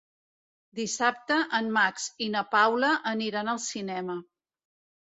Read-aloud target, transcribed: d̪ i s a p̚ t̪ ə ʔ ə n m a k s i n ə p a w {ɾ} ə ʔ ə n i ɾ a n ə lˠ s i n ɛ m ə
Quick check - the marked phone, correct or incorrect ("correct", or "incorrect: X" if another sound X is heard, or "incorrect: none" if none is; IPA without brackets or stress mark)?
incorrect: l